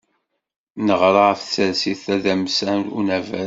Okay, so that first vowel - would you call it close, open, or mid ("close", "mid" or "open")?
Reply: mid